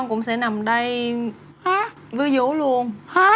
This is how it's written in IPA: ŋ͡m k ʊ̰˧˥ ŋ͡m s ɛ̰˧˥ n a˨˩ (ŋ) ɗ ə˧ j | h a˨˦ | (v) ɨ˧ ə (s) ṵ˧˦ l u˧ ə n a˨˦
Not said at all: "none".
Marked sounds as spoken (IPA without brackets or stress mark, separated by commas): m, v, z